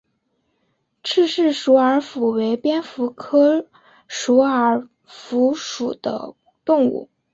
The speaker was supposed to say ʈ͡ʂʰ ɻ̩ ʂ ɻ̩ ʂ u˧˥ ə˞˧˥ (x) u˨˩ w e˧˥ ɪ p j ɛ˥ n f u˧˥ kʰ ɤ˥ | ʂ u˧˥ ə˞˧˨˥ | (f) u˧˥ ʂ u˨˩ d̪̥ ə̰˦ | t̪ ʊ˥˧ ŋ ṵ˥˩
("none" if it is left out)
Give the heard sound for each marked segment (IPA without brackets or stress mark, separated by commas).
f, f